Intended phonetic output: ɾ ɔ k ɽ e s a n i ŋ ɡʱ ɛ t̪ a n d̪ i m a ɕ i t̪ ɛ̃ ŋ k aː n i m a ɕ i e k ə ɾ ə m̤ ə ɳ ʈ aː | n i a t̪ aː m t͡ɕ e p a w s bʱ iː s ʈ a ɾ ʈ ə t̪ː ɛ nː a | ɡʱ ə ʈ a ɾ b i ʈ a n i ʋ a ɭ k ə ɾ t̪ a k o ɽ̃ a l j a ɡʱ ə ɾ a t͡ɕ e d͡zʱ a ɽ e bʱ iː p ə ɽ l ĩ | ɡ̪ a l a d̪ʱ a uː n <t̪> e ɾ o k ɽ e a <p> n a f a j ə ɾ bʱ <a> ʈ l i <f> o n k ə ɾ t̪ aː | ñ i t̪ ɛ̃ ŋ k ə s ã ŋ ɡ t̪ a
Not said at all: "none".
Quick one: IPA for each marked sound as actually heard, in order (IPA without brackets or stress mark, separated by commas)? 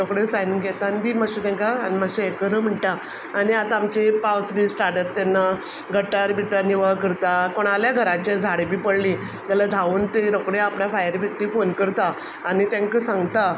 t̪, p, i, f